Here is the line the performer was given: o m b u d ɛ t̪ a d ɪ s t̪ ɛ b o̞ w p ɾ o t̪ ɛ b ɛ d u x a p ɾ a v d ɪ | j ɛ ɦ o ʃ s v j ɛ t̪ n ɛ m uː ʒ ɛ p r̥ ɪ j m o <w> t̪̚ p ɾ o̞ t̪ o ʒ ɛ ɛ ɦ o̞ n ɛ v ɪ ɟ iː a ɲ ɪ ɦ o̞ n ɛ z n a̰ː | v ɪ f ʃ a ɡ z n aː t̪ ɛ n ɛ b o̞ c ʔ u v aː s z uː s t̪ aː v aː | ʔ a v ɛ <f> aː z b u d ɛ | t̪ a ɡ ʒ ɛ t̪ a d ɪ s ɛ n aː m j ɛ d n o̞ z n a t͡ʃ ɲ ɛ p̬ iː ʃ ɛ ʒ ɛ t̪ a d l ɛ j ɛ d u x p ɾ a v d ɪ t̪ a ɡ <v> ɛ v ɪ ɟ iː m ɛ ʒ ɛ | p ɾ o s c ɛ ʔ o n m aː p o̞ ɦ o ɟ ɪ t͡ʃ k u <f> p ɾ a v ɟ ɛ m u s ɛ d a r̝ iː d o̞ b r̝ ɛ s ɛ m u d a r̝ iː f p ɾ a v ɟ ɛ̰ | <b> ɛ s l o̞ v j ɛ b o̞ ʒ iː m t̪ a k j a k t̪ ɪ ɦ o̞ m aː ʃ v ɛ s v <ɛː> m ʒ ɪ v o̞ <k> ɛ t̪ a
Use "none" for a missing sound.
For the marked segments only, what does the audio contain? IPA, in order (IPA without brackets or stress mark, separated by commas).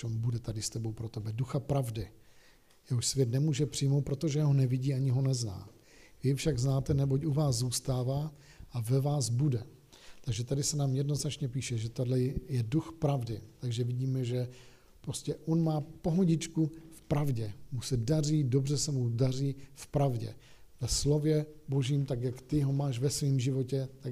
w, v, ʒ, f, v, iː, c